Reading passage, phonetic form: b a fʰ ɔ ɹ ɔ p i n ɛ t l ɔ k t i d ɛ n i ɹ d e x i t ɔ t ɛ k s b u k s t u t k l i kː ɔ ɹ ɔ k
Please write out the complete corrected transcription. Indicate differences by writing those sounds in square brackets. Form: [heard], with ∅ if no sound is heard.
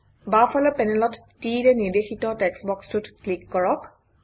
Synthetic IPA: b a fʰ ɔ [l] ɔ p [ɛ] n ɛ [∅] l ɔ [t] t i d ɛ n i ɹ d e x i t ɔ t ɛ k s b [ɔ] k s t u t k l i kː ɔ ɹ ɔ k